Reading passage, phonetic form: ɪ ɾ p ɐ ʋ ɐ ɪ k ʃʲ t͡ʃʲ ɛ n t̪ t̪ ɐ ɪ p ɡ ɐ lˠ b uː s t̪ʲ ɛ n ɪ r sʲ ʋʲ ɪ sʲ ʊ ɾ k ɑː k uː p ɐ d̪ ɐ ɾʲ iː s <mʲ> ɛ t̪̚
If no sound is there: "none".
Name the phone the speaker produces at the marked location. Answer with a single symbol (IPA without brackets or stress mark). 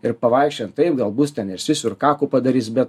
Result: bʲ